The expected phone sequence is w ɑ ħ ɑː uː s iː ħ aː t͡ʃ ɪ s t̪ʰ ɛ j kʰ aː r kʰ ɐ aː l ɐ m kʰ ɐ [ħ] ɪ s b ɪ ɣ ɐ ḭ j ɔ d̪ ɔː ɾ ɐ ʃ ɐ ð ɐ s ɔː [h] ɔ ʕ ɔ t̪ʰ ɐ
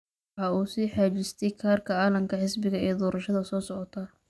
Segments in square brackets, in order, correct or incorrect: correct, incorrect

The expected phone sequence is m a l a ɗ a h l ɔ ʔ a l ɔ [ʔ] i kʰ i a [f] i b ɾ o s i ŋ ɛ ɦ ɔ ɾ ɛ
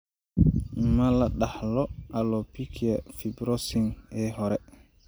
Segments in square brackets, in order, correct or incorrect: incorrect, correct

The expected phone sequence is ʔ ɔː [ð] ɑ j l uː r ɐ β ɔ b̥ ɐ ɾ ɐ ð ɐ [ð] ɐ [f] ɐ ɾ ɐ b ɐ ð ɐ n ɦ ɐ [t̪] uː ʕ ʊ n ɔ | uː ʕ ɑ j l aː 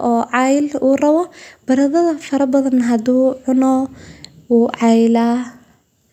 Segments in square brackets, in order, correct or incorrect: incorrect, correct, correct, incorrect

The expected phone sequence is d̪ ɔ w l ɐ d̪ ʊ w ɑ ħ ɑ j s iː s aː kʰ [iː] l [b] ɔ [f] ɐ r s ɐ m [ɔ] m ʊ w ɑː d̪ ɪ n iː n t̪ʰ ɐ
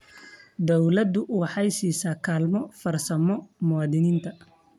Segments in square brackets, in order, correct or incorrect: incorrect, incorrect, correct, correct

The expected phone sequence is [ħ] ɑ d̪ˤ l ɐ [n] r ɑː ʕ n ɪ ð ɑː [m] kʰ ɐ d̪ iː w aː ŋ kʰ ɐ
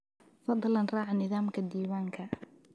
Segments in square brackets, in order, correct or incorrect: incorrect, correct, correct

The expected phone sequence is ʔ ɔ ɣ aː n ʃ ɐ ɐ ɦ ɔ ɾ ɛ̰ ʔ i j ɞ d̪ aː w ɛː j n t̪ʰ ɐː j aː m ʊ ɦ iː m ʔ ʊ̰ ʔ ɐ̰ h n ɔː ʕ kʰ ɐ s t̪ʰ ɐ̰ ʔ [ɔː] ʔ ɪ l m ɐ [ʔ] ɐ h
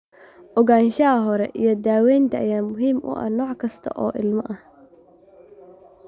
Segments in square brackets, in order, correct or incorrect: correct, correct

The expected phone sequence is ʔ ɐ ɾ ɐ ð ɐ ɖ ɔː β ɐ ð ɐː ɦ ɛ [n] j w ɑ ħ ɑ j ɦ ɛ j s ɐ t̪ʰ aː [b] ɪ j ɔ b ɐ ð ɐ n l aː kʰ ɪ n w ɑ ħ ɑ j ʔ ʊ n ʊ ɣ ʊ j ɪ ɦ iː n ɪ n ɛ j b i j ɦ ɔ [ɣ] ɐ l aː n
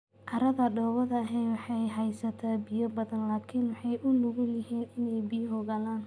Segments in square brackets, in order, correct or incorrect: incorrect, correct, correct

